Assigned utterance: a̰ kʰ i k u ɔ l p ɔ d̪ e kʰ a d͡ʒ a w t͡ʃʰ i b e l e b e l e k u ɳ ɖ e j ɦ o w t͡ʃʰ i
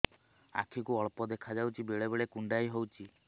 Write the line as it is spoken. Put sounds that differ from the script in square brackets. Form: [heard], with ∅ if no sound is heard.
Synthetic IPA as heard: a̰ kʰ i k u ɔ [ɭ] p ɔ d̪ e kʰ a d͡ʒ a w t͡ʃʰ i b e [ɭ] e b e [ɭ] e k u ɳ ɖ [a] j ɦ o w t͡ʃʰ i